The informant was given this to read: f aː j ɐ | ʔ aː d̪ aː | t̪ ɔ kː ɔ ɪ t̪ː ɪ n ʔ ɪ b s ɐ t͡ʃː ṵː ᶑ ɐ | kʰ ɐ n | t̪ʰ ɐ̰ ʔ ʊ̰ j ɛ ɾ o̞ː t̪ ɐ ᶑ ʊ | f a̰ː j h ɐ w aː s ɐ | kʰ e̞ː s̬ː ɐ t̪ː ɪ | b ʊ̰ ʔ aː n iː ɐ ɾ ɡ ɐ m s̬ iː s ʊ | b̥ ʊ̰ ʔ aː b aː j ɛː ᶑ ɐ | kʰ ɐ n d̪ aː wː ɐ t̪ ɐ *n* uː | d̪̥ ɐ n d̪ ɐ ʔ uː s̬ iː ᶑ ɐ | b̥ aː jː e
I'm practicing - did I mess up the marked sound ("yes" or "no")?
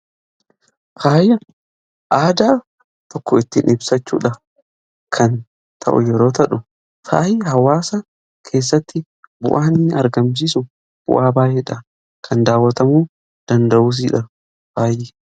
yes